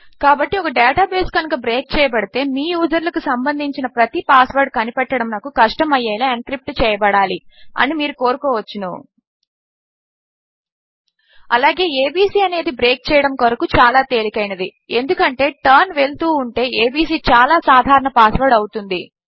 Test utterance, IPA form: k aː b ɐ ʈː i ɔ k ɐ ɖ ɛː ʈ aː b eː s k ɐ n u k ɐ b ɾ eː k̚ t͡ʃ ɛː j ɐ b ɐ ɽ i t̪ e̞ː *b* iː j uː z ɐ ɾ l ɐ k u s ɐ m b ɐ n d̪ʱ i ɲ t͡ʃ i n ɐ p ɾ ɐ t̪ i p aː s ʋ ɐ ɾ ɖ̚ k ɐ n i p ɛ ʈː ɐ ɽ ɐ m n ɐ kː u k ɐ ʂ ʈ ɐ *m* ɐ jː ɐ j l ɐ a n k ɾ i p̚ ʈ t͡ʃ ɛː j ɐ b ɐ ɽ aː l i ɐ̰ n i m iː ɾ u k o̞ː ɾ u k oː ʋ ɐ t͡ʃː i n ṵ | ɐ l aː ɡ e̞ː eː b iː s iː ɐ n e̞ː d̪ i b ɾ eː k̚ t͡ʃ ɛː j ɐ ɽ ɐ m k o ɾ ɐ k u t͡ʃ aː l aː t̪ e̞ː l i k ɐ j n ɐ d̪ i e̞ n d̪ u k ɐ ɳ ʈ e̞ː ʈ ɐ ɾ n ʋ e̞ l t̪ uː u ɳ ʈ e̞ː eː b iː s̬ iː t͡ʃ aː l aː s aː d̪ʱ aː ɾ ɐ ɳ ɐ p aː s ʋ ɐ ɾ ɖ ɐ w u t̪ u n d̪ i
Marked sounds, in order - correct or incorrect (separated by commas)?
incorrect, correct